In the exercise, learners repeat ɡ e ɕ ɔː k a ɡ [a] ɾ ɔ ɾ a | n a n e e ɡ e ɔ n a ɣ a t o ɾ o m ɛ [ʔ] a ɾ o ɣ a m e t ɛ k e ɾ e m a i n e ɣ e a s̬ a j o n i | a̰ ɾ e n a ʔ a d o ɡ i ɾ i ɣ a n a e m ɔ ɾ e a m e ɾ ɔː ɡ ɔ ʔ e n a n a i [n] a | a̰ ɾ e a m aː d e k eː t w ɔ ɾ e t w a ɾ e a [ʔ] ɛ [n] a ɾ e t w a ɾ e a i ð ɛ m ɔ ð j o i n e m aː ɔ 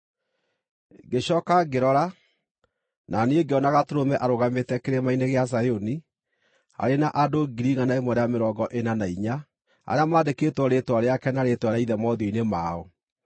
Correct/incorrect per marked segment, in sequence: incorrect: e, correct, incorrect: ɲ, incorrect: k, correct

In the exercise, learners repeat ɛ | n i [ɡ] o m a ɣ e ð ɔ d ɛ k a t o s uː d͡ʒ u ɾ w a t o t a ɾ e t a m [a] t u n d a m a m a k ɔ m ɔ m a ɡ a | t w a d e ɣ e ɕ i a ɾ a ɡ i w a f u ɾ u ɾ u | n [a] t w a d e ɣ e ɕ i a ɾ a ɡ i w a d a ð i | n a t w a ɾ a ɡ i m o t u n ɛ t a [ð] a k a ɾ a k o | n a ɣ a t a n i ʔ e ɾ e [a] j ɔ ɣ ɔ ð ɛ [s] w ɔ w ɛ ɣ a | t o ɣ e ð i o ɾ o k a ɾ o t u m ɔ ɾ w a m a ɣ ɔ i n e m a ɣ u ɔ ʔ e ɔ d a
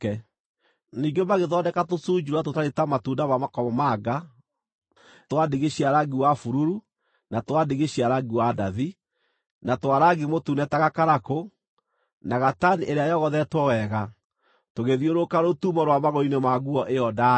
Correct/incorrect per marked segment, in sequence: correct, correct, correct, incorrect: ɣ, correct, incorrect: t

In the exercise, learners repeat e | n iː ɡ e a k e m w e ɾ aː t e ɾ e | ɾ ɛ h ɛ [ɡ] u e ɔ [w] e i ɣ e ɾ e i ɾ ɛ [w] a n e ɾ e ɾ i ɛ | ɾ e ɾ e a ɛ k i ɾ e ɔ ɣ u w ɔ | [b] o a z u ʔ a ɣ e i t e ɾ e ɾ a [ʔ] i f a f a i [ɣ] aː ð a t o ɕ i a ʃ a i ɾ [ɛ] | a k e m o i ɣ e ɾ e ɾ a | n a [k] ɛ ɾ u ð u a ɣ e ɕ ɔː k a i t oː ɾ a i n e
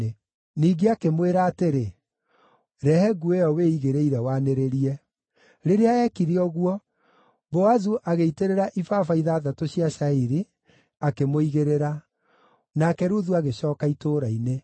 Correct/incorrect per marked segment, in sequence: correct, correct, correct, correct, correct, incorrect: ð, incorrect: i, correct

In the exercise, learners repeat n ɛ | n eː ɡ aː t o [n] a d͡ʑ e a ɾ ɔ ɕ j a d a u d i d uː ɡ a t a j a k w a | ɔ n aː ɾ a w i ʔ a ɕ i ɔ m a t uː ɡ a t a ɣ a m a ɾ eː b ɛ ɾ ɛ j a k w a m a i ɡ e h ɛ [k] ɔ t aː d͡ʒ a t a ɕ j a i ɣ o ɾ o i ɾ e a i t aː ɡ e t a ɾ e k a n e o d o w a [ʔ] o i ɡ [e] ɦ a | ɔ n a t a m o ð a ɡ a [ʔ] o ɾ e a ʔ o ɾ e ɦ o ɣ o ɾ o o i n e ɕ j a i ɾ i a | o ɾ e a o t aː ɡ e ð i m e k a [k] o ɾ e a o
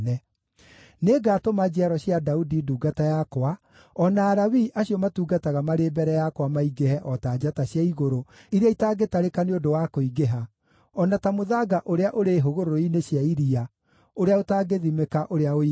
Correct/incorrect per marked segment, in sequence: incorrect: m, incorrect: ʔ, incorrect: k, correct, correct, incorrect: ʔ

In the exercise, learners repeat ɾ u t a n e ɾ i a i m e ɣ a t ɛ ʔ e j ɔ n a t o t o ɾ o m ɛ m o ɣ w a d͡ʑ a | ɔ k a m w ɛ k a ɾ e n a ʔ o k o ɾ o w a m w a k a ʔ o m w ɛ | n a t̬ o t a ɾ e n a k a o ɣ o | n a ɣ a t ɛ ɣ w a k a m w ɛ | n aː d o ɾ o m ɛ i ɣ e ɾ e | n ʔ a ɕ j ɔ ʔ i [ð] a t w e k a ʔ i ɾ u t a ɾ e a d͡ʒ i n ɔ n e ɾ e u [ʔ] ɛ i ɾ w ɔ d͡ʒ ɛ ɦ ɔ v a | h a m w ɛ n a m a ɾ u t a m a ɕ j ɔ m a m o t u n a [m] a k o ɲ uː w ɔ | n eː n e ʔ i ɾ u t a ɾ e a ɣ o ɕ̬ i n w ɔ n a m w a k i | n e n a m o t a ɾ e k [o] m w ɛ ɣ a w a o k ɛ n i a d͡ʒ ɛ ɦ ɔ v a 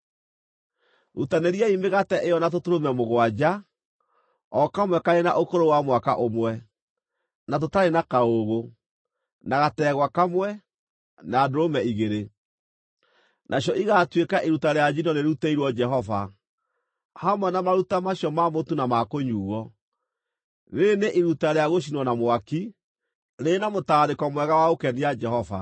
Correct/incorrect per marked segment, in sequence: incorrect: ɣ, incorrect: t, correct, incorrect: ɔ

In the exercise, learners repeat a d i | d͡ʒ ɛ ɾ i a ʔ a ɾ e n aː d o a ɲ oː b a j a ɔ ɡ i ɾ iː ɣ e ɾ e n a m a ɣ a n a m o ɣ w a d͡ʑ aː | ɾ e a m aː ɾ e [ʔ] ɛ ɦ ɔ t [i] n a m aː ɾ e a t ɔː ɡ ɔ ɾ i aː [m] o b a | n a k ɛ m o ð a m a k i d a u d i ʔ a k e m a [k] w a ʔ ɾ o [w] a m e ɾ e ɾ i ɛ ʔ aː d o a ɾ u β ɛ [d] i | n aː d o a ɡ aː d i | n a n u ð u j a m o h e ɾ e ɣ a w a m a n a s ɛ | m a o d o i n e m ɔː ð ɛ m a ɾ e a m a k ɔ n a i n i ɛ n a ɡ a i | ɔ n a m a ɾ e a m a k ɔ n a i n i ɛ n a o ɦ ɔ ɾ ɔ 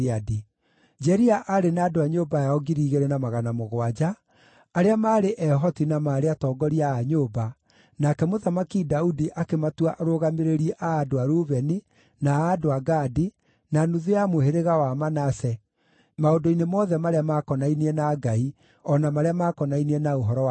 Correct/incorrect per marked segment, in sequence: correct, correct, incorrect: ɲ, incorrect: t, incorrect: ɣ, incorrect: n

